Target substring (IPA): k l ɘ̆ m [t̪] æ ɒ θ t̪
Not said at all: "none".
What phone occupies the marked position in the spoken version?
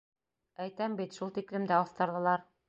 d̪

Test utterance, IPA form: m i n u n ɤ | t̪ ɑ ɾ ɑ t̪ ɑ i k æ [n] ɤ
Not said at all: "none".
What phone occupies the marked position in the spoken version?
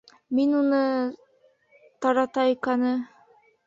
n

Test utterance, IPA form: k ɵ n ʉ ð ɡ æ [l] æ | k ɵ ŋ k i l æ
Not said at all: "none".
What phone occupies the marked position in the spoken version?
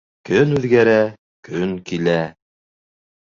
ɾ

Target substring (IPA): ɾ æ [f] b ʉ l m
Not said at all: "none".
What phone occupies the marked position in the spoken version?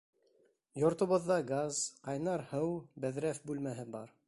f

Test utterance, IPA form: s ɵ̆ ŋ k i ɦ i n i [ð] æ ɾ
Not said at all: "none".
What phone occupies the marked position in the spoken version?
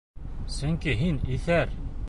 θ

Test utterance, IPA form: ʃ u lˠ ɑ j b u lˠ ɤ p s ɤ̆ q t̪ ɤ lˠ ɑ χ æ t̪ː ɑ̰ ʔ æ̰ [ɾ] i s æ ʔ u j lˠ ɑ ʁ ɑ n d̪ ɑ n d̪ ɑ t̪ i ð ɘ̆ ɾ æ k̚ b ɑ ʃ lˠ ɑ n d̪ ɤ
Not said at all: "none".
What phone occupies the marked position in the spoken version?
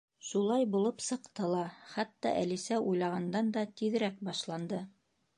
l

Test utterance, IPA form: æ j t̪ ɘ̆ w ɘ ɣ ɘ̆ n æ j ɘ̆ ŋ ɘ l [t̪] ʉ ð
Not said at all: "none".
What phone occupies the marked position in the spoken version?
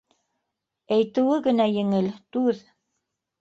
t̪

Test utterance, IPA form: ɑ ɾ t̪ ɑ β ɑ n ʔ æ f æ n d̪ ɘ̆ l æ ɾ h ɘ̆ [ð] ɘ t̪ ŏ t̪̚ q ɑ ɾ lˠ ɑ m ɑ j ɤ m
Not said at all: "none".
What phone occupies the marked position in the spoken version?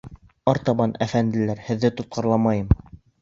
ðː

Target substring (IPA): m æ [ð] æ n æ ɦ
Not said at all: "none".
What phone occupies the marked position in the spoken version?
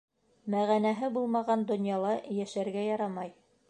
ʁ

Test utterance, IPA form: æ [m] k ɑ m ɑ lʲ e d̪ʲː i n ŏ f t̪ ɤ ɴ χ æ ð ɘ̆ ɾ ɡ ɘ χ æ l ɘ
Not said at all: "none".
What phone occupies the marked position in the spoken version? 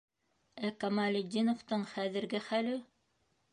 none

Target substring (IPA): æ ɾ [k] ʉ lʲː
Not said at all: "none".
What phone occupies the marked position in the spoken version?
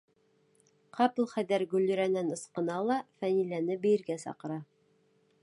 ɡ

